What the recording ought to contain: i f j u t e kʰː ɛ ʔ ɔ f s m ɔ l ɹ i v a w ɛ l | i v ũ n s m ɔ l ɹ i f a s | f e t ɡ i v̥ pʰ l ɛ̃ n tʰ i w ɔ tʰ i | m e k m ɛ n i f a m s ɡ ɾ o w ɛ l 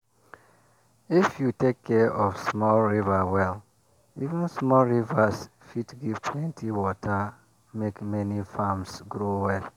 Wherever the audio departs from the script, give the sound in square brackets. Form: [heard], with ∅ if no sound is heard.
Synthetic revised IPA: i f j u t e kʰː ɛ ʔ ɔ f s m ɔ l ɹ i v a w ɛ l | i v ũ n s m ɔ l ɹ i [v] a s | f [i] t ɡ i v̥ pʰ l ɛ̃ n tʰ i w ɔ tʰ [a] | m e k m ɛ n i f a m s ɡ ɾ o w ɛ l